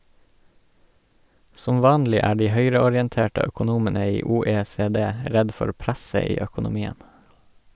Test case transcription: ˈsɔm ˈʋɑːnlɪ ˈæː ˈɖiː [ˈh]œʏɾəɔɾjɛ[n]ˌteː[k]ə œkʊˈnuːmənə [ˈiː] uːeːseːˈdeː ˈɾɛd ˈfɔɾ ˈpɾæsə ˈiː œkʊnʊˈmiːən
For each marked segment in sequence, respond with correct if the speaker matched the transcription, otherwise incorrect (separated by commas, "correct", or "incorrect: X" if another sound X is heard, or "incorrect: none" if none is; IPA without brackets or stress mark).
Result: correct, correct, incorrect: ʈ, correct